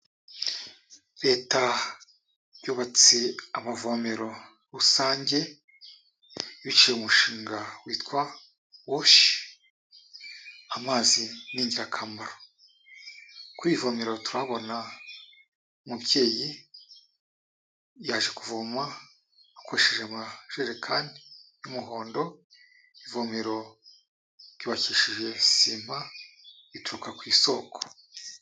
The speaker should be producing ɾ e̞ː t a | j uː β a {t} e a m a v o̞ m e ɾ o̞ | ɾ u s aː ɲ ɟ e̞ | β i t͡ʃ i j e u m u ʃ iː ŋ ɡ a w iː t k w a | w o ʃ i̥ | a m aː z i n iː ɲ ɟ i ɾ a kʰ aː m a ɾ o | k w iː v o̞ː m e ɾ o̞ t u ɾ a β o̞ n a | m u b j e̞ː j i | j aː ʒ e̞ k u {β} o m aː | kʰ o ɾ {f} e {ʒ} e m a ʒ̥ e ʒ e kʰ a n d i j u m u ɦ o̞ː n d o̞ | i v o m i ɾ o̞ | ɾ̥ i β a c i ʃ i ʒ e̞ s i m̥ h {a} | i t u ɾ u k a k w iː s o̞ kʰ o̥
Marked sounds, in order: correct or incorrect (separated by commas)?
incorrect, incorrect, incorrect, correct, correct